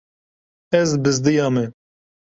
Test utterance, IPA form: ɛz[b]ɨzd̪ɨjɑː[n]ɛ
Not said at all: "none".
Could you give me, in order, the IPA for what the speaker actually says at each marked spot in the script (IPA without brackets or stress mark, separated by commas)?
b, m